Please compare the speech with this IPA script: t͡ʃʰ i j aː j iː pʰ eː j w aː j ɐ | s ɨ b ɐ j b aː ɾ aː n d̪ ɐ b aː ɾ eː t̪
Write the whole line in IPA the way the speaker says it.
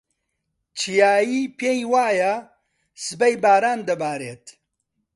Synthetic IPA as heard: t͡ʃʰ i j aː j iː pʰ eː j w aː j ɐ | s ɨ b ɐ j b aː ɾ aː n d̪ ɐ b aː ɾ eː t̪